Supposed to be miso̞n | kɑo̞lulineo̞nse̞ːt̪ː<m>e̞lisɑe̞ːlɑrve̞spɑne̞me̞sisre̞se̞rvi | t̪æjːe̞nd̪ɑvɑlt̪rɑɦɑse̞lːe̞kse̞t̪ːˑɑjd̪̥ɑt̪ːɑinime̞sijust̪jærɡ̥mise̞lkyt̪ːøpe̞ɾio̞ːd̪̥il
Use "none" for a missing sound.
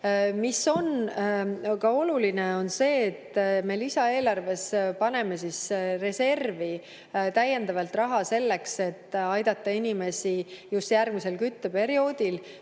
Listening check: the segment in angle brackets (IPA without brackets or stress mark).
m